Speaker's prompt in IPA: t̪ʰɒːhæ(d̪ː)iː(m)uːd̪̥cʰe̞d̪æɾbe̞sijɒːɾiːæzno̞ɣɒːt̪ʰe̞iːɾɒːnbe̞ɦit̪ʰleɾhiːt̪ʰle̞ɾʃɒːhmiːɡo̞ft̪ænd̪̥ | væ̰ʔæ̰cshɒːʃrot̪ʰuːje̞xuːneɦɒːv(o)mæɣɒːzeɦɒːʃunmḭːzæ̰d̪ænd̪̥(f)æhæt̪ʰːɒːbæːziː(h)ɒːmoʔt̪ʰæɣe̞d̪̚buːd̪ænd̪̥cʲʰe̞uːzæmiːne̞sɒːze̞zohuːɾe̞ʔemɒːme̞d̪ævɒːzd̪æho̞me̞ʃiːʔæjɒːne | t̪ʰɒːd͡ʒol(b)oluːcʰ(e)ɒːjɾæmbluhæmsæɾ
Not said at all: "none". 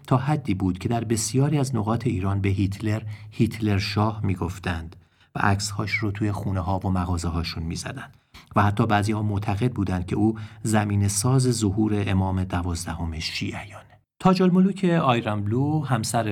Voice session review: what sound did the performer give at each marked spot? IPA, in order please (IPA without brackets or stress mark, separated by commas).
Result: d̪ː, b, o, v, h, m, e